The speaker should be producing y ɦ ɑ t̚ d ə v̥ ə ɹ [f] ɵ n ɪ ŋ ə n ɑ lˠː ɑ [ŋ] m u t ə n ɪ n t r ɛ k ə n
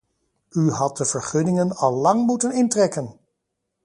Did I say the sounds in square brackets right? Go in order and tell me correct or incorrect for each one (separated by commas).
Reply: incorrect, correct